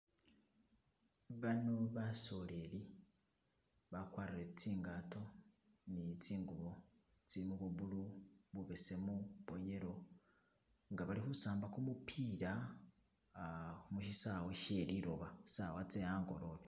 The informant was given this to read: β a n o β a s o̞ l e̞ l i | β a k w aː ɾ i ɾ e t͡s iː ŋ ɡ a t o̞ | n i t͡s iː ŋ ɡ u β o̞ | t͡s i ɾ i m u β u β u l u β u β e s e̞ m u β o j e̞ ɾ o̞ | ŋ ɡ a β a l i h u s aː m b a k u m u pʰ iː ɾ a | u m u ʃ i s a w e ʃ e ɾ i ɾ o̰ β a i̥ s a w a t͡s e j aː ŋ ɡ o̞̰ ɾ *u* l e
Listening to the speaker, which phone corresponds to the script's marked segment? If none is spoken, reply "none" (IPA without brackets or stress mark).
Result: o